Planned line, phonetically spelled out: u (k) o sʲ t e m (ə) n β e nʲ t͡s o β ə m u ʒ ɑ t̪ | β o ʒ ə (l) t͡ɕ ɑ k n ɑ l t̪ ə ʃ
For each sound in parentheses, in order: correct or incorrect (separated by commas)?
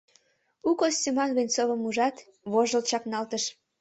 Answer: correct, incorrect, correct